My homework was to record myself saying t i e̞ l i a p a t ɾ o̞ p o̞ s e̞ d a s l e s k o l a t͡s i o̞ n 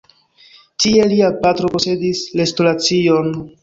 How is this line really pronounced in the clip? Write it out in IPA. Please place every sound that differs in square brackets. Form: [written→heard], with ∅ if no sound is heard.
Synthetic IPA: t i e̞ l i a p a t ɾ o̞ p o̞ s e̞ d [a→i] s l e s [k→t] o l a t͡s i o̞ n